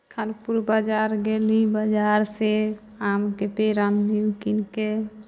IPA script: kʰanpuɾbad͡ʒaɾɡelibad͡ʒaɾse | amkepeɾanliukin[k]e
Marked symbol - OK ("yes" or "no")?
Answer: yes